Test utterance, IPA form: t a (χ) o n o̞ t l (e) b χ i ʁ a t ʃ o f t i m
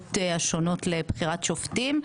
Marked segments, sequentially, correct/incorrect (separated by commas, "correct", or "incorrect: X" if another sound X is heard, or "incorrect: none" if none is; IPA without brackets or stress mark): incorrect: ʃ, correct